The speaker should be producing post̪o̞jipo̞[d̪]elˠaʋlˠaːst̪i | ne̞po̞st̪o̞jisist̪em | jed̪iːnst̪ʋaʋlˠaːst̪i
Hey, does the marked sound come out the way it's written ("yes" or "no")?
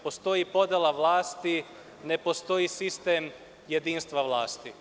yes